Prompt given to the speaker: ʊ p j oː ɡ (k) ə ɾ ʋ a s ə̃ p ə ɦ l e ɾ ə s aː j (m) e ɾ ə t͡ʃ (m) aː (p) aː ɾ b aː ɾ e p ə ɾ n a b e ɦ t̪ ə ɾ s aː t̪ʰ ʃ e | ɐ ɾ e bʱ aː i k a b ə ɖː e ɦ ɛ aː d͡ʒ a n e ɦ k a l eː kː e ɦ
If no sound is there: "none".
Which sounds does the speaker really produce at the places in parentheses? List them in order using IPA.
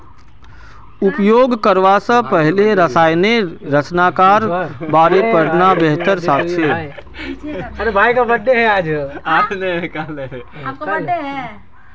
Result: k, n, n, k

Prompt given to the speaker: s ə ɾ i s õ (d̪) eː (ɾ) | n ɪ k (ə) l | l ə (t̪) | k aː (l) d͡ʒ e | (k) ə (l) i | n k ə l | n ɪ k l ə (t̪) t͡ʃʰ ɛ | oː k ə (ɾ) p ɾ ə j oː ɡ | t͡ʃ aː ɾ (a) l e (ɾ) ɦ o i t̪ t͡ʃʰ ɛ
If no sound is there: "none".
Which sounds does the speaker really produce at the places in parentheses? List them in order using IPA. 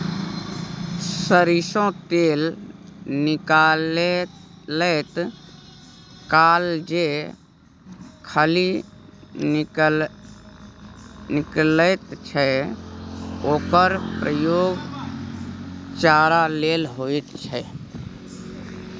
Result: t̪, l, a, t̪, l, kʰ, l, t̪, ɾ, a, l

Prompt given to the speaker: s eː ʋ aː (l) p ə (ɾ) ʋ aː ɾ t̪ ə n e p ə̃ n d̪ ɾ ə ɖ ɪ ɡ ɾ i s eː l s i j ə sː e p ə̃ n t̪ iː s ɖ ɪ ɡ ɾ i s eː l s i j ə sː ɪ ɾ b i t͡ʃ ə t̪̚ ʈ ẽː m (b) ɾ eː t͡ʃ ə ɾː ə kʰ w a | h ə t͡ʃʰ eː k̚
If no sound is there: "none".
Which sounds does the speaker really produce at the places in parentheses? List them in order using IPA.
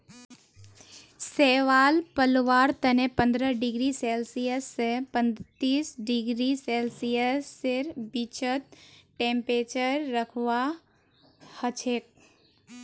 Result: l, l, p

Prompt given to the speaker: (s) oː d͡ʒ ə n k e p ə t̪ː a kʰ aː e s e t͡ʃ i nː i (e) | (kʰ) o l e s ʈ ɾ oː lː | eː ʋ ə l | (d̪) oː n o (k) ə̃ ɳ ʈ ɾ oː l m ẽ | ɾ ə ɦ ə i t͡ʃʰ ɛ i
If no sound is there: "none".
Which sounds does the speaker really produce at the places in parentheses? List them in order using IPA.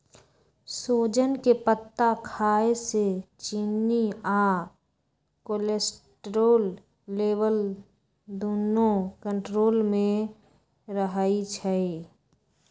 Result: s, a, k, d̪, k

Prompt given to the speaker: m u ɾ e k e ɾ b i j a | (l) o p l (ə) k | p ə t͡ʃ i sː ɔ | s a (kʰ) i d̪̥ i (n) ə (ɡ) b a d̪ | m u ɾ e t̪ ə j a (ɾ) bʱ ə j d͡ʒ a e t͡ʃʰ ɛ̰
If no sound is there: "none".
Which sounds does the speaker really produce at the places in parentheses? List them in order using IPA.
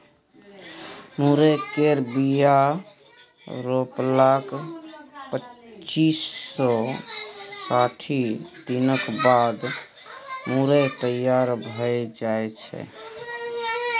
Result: ɾ, a, ʈʰ, n, k, ɾ

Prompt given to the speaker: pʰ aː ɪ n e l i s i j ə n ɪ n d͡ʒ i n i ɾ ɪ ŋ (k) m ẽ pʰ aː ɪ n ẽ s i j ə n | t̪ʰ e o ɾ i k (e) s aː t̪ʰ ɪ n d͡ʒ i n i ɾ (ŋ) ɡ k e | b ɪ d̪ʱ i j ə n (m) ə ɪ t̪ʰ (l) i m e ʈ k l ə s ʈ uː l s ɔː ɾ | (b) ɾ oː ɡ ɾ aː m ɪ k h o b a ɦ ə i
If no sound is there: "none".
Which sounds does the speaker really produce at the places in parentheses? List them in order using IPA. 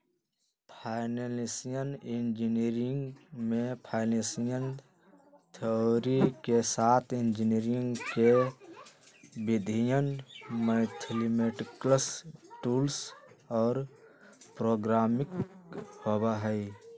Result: ɡ, e, ŋ, m, l, p

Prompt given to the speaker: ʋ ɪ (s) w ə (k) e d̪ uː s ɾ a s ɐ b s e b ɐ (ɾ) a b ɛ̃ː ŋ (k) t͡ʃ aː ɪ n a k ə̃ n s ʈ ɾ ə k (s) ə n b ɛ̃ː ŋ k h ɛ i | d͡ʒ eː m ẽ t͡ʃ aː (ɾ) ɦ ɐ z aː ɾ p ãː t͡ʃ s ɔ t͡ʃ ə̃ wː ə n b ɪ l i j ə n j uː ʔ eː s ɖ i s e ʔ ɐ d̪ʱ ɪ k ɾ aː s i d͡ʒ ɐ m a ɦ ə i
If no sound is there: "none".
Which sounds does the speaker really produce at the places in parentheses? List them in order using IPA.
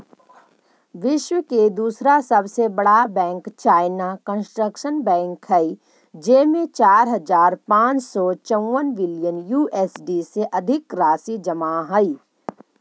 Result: ʃ, k, ɽ, k, ʃ, ɾ

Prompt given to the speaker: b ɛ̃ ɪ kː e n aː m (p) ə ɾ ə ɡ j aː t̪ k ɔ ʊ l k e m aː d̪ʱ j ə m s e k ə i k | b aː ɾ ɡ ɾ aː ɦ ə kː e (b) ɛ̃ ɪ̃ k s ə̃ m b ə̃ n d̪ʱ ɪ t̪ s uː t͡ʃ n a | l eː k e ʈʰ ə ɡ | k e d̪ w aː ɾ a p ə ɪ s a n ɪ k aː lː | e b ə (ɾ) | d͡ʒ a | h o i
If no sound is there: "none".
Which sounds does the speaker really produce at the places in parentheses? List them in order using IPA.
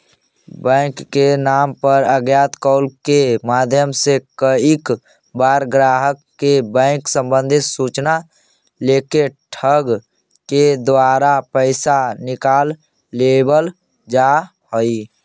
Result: p, b, l

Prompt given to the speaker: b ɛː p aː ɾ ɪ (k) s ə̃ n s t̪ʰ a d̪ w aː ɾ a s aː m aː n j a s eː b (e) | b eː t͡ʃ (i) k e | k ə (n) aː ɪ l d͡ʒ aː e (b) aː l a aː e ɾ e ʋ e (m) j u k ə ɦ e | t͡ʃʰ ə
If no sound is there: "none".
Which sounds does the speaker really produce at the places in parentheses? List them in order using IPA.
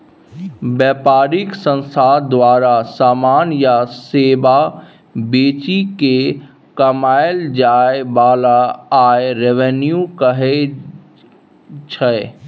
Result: k, a, i, m, b, n

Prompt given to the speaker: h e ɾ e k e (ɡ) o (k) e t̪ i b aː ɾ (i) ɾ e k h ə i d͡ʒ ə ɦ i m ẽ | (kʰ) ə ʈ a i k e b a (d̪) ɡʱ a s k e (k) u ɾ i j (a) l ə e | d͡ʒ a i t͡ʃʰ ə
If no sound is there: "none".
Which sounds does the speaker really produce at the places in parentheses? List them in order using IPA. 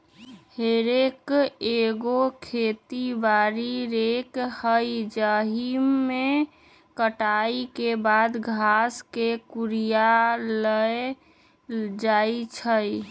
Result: ɡ, kʰ, i, k, d̪, k, a

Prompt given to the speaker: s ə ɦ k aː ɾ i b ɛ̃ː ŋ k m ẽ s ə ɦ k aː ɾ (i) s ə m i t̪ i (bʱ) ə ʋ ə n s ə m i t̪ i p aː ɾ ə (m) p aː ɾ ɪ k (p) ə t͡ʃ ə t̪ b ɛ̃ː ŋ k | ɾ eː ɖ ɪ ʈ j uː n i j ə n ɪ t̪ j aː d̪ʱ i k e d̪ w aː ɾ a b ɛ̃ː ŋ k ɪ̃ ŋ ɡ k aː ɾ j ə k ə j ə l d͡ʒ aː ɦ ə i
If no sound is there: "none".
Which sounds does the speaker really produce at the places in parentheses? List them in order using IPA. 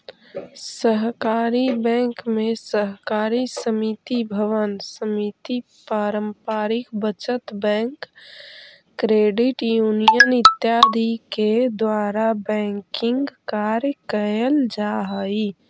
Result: i, bʱ, m, b

